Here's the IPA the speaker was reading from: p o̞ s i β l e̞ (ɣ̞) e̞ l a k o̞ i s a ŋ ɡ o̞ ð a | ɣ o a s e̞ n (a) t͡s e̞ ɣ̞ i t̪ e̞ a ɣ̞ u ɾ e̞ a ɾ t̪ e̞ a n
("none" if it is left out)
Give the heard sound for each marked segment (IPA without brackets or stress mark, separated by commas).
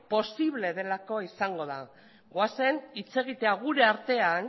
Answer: ð̞, i